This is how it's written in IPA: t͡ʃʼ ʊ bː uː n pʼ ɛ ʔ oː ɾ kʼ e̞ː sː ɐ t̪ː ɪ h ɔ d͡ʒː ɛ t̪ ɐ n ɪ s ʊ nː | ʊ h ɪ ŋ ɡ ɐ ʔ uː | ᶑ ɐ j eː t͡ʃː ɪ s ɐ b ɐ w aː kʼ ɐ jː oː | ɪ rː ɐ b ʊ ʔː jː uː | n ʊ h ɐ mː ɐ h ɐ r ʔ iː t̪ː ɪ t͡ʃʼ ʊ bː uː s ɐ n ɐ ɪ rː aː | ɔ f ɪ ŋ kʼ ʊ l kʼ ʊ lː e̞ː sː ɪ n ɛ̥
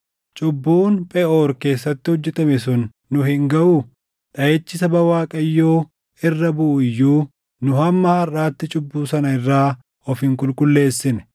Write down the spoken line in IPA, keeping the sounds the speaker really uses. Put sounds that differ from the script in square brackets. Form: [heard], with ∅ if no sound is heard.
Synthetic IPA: t͡ʃʼ ʊ bː uː n pʼ ɛ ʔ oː ɾ [k] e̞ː sː ɐ t̪ː ɪ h ɔ d͡ʒː ɛ t̪ ɐ [m] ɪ s ʊ nː | ʊ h ɪ ŋ ɡ ɐ ʔ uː | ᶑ ɐ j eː t͡ʃː ɪ s ɐ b ɐ w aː kʼ ɐ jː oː | ɪ rː ɐ b ʊ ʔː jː uː | n ʊ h ɐ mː ɐ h ɐ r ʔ [aː] t̪ː ɪ t͡ʃʼ ʊ bː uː s ɐ n ɐ ɪ rː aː | ɔ f ɪ ŋ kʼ ʊ l kʼ ʊ lː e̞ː sː ɪ n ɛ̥

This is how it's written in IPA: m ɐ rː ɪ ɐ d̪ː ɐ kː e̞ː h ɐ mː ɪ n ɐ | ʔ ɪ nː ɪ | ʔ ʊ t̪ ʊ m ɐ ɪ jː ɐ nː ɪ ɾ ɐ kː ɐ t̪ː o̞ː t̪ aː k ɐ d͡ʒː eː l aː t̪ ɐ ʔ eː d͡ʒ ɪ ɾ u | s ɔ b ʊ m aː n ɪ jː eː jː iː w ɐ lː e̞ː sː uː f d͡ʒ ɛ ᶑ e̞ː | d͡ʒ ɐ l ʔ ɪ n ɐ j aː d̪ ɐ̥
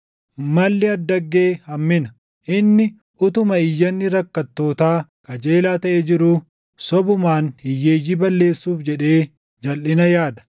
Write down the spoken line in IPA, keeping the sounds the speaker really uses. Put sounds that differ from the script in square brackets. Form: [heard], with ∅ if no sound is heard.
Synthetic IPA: m ɐ [lː] ɪ ɐ d̪ː ɐ [ɡː] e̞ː h ɐ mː ɪ n ɐ | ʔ ɪ nː ɪ | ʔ ʊ t̪ ʊ m ɐ ɪ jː ɐ nː ɪ ɾ ɐ kː ɐ t̪ː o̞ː t̪ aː k ɐ [d͡ʒ] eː l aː t̪ ɐ ʔ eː d͡ʒ ɪ ɾ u | s ɔ b ʊ m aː n ɪ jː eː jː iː [b] ɐ lː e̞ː sː uː f d͡ʒ ɛ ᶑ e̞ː | d͡ʒ ɐ l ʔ ɪ n ɐ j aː d̪ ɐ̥

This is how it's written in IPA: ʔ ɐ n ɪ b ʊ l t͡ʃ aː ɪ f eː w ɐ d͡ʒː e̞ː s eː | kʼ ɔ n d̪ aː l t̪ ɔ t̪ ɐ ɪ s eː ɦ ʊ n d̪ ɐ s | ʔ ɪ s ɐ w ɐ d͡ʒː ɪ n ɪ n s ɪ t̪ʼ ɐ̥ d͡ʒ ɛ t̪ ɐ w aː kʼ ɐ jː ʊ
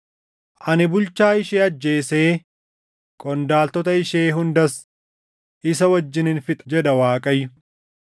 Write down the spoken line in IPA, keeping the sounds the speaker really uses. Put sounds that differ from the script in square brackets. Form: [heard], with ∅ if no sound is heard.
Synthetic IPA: ʔ ɐ n ɪ b ʊ l t͡ʃ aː ɪ [ʃ] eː [∅] ɐ d͡ʒː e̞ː s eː | kʼ ɔ n d̪ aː l t̪ ɔ t̪ ɐ ɪ [ʃ] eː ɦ ʊ n d̪ ɐ s | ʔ ɪ s ɐ w ɐ d͡ʒː ɪ n ɪ n [f] ɪ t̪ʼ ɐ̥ d͡ʒ ɛ [d̪] ɐ w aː kʼ ɐ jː ʊ

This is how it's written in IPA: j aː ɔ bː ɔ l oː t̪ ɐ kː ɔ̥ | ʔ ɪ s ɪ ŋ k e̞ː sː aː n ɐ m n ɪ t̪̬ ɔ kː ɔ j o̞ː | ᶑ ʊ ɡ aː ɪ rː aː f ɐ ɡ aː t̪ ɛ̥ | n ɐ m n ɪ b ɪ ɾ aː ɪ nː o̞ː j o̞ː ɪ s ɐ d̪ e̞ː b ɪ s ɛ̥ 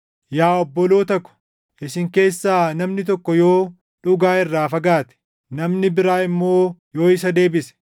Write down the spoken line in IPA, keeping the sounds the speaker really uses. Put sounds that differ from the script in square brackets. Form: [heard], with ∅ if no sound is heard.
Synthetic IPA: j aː ɔ bː ɔ l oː t̪ ɐ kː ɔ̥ | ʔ ɪ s ɪ ŋ k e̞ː sː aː n ɐ m n ɪ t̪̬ ɔ kː ɔ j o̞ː | ᶑ ʊ ɡ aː ɪ rː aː f ɐ ɡ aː t̪ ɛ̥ | n ɐ m n ɪ b ɪ ɾ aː ɪ [mː] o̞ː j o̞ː ɪ s ɐ d̪ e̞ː b ɪ s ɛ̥

